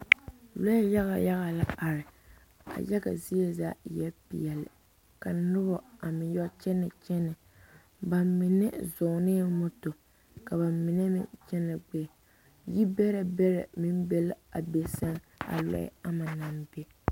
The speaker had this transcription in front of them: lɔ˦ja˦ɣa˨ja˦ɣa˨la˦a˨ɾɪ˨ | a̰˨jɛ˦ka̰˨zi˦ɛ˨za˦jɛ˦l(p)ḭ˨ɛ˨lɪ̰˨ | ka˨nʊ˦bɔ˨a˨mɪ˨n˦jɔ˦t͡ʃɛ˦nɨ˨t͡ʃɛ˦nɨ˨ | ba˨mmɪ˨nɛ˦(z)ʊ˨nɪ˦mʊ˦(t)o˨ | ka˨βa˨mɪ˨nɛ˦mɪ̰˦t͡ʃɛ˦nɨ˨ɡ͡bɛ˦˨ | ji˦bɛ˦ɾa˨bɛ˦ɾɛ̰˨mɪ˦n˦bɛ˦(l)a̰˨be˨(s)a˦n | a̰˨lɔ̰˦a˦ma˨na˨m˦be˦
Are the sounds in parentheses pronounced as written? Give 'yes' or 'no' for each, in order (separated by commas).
yes, yes, yes, yes, yes